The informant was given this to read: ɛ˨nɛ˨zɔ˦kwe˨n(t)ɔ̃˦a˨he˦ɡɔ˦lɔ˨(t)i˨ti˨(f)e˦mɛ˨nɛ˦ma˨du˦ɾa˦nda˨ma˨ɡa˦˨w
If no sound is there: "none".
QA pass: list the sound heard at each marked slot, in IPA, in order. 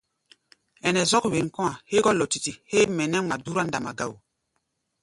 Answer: k, t, h

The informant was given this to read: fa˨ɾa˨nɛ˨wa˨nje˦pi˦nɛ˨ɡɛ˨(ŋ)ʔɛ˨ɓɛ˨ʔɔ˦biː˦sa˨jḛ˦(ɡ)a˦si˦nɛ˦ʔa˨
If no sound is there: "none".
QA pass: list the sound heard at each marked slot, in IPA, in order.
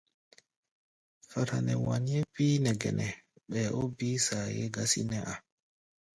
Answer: n, ɡ

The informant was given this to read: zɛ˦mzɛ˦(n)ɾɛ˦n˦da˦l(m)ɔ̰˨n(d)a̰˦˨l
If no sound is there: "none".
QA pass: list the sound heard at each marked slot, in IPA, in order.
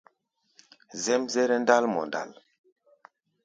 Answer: none, m, d

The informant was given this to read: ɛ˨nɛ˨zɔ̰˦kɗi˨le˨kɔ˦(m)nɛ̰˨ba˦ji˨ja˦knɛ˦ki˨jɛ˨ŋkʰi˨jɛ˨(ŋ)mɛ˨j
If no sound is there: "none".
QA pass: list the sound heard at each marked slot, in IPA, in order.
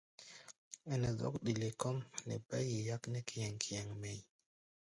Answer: m, ŋ

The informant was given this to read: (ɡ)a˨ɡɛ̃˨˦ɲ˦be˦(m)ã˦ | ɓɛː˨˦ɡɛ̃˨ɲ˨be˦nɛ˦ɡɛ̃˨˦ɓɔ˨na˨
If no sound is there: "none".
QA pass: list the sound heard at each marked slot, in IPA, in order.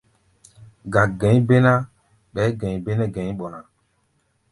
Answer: ɡ, n

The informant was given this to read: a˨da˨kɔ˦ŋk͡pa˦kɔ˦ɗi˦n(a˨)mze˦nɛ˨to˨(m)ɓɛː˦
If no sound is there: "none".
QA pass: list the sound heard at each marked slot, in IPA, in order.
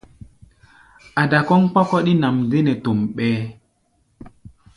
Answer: a˨, m

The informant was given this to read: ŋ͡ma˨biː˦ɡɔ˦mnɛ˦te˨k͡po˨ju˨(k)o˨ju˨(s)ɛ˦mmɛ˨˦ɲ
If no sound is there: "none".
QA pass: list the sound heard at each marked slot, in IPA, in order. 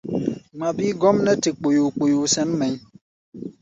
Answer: k͡p, s

